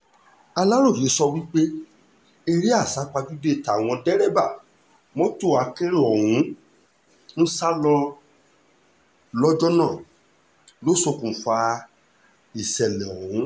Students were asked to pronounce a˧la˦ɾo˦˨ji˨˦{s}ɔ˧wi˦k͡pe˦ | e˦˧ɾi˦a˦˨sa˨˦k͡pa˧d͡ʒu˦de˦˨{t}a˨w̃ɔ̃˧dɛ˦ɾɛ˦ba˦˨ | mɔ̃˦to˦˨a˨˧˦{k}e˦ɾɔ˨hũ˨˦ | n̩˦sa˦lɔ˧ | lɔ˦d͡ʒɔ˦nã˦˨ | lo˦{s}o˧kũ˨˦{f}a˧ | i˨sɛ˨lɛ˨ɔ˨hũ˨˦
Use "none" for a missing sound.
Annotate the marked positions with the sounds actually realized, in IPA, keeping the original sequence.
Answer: s, t, k, s, f

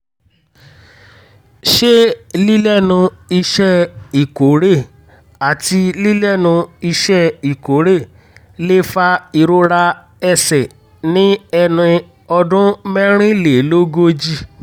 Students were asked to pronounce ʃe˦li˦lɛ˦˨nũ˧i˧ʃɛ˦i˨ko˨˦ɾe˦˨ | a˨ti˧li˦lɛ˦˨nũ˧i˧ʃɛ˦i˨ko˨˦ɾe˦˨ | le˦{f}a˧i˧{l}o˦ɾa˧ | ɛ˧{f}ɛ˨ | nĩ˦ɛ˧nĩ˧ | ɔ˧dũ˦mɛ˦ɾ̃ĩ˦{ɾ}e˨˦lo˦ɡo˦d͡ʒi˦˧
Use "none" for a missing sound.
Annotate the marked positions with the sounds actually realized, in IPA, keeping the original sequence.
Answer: f, ɾ, s, l

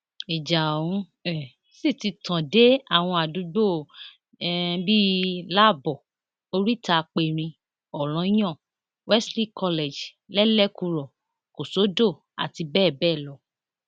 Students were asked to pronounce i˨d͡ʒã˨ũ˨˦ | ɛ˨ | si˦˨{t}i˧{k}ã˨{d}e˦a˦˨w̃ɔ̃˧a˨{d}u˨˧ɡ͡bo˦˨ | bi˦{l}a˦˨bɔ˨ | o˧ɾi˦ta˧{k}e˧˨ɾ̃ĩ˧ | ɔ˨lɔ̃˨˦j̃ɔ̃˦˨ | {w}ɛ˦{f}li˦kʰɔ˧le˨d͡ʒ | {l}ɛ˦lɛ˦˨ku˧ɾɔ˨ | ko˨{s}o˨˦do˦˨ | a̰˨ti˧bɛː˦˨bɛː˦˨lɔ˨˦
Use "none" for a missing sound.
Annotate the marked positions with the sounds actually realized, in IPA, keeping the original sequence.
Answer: t, t, d, d, l, k͡p, w, s, l, s

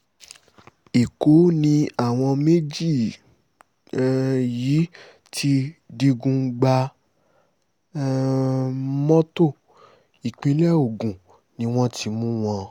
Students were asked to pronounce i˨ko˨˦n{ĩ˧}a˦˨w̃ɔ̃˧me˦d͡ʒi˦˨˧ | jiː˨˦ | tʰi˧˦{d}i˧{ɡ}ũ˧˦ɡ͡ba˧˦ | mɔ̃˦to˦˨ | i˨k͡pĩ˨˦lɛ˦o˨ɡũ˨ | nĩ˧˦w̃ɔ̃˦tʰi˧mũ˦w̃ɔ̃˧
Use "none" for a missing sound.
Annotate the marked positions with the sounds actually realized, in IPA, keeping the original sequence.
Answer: ĩ˧, d, ɡ

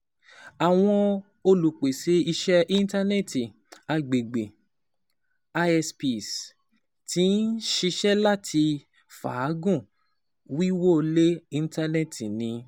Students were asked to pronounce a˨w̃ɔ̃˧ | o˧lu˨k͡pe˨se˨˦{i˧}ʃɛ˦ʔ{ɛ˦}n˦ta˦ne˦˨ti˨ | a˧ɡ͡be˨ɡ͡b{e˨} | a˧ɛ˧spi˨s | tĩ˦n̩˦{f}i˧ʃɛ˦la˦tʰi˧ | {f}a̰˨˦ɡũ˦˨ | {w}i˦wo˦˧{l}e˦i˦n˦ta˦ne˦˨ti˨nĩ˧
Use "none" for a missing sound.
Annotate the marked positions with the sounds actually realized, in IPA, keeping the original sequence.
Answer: i˧, i˦, e˨, ʃ, f, w, l

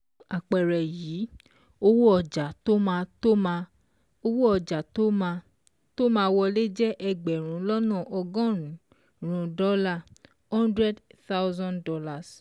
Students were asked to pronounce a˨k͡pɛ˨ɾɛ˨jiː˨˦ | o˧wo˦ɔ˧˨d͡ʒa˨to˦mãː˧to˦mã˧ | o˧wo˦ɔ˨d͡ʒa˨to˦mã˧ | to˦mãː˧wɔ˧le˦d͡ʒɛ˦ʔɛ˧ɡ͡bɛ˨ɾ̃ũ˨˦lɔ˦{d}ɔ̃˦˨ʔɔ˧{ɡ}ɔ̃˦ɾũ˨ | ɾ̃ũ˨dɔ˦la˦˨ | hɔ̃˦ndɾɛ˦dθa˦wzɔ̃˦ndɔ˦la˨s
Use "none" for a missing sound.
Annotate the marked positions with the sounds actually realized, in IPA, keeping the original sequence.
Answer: n, ɡ

